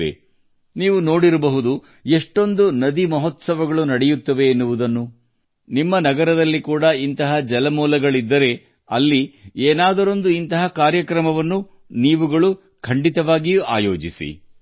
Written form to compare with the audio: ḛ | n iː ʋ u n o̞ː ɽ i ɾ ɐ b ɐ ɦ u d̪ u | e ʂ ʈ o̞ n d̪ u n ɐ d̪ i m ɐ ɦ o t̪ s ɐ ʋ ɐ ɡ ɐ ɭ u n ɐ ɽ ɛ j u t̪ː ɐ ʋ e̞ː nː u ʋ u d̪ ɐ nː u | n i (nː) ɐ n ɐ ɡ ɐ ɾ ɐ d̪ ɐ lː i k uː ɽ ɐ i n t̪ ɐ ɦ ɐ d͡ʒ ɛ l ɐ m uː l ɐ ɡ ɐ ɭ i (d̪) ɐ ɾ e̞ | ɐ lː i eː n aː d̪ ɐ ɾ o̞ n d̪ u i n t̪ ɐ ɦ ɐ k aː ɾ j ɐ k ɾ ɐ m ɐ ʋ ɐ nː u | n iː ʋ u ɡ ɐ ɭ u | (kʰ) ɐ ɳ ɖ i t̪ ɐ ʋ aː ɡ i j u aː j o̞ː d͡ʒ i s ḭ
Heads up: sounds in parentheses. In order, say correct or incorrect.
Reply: incorrect, incorrect, correct

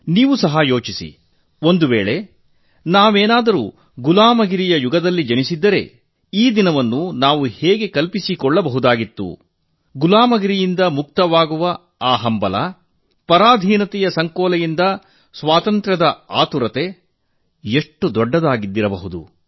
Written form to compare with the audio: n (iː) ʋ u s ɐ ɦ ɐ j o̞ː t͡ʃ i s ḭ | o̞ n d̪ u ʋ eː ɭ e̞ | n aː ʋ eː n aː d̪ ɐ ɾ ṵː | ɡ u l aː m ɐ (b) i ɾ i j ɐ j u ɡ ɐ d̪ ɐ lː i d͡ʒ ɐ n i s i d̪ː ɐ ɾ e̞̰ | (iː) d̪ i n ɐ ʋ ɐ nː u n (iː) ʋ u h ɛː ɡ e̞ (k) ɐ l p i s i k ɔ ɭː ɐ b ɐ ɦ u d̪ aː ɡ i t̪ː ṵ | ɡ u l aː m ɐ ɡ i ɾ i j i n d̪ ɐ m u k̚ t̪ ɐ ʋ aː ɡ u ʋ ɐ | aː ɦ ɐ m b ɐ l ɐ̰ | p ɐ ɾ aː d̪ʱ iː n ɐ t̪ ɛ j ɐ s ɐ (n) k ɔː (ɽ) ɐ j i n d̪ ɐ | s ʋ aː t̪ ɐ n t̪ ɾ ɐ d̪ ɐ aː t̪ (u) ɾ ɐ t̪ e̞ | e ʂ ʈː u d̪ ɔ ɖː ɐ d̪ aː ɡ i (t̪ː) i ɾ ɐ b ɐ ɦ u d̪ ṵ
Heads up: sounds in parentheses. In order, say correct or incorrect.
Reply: correct, incorrect, correct, incorrect, correct, incorrect, incorrect, correct, incorrect

